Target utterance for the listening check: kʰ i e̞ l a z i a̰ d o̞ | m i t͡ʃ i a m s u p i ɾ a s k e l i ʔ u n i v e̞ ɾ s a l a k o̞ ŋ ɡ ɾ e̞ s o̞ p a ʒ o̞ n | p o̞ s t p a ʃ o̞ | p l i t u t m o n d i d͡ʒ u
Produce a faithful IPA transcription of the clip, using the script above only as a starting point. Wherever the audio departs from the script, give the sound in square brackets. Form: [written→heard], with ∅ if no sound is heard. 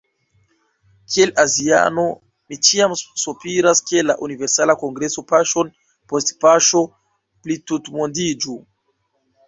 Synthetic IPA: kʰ i e̞ l a z i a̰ [d→n] o̞ | m i t͡ʃ i a m s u p i ɾ a s k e l [i→a] ʔ u n i v e̞ ɾ s a l a k o̞ ŋ ɡ ɾ e̞ s o̞ p a [ʒ→ʃ] o̞ n | p o̞ s t p a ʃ o̞ | p l i t u t m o n d i d͡ʒ u